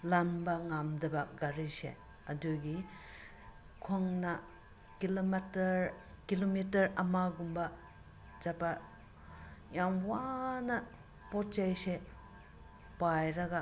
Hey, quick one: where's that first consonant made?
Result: tongue tip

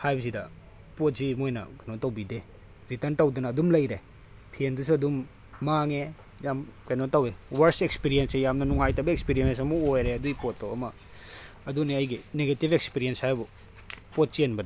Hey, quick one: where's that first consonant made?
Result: throat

